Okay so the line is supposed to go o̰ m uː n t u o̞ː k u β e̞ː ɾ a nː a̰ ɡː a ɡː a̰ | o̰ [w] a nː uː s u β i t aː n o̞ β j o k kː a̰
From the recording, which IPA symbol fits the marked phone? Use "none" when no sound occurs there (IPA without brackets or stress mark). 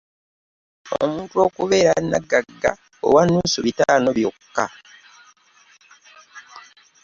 w